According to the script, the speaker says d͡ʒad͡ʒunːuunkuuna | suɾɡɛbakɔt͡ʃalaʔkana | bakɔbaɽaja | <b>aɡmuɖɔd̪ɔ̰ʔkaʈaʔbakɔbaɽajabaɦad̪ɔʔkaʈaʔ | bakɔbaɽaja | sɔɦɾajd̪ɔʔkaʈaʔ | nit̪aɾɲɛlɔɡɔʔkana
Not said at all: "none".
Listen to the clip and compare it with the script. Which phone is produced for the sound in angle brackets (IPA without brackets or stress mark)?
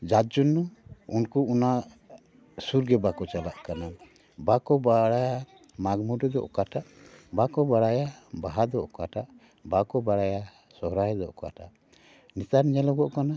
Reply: m